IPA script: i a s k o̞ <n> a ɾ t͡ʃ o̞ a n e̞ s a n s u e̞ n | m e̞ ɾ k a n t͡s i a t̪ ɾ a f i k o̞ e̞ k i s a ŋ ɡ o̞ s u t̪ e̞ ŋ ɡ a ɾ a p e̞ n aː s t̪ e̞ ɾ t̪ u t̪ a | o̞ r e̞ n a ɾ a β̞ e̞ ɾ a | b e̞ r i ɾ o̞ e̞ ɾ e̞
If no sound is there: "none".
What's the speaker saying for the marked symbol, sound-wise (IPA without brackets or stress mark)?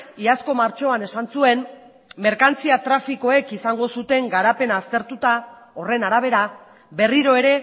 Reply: m